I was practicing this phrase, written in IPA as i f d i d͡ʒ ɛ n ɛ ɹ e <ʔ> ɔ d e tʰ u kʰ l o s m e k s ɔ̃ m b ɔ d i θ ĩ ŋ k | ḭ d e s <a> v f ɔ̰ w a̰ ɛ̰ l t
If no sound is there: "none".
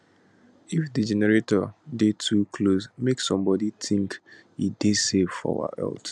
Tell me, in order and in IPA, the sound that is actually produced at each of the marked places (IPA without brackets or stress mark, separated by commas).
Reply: t, e